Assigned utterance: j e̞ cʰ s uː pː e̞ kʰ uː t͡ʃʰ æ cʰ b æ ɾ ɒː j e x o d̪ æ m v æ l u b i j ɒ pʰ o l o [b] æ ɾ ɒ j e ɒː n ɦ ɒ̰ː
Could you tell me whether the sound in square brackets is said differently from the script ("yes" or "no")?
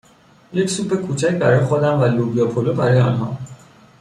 no